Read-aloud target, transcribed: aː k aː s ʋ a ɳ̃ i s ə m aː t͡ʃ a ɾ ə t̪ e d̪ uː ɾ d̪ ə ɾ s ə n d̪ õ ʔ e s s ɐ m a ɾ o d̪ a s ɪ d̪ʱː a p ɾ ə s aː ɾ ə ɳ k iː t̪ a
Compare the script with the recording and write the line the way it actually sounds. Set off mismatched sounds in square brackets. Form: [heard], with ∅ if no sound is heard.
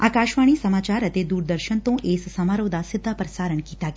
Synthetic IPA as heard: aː k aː [ʃ] ʋ a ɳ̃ i s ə m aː t͡ʃ a ɾ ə t̪ e d̪ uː ɾ d̪ ə ɾ [ʃ] ə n [t̪] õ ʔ e s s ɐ m a ɾ o d̪ a s ɪ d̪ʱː a p ɾ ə s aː ɾ ə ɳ k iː t̪ a